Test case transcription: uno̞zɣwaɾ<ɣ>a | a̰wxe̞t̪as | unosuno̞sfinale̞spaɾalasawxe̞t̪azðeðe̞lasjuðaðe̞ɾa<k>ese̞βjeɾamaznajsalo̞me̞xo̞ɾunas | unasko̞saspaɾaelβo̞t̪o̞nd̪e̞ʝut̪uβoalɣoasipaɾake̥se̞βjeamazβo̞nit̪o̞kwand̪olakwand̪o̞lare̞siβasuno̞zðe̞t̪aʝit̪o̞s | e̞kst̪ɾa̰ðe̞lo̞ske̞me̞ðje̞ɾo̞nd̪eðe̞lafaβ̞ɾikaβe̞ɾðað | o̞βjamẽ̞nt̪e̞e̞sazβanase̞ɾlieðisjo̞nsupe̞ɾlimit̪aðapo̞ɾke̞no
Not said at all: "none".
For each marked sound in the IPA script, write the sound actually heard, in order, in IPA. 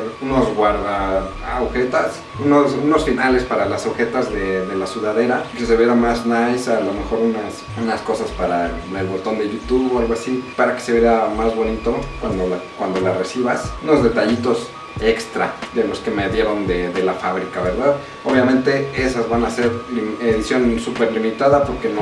ð, k

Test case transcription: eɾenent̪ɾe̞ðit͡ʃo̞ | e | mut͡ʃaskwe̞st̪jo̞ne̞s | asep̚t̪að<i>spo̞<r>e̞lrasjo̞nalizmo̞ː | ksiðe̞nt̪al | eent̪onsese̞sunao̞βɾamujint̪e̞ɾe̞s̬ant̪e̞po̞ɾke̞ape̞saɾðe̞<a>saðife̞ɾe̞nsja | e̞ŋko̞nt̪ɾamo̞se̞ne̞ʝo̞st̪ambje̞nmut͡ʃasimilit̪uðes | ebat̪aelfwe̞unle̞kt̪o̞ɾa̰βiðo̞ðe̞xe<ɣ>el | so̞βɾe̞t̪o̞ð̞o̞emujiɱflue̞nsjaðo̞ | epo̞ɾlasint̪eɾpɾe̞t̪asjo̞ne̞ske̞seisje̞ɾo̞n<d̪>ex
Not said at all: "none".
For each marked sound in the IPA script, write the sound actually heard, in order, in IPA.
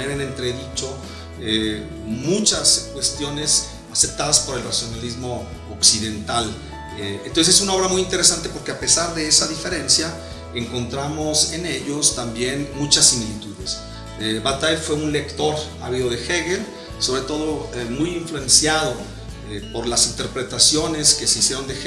a, ɾ, e, ɣ, d̪

